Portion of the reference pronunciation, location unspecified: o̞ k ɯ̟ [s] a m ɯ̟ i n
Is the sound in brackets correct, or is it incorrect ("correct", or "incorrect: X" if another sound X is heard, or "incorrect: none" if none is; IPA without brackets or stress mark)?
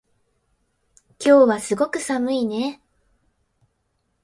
correct